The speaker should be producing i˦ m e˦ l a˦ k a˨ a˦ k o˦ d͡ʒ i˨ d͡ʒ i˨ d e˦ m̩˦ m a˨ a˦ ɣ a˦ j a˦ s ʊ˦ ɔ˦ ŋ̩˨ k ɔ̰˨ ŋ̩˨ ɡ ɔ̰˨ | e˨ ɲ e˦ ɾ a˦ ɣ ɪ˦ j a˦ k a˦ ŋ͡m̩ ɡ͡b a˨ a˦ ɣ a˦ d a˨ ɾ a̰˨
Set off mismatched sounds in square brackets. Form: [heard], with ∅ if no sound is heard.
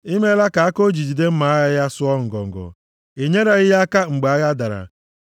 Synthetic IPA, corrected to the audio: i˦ m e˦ l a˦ k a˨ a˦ k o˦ d͡ʒ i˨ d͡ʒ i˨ d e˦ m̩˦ m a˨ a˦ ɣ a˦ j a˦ s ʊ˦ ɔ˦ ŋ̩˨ [ɡ] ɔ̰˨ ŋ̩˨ ɡ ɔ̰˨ | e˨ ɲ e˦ ɾ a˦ ɣ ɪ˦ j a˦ k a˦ ŋ͡m̩ ɡ͡b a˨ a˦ ɣ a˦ d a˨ ɾ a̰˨